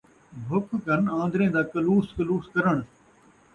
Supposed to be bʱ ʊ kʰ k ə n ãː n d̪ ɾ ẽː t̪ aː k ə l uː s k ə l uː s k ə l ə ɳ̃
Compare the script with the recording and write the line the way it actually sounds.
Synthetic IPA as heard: bʱ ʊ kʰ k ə n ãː n d̪ ɾ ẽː d̪ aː k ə l uː s k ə l uː s k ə ɾ ə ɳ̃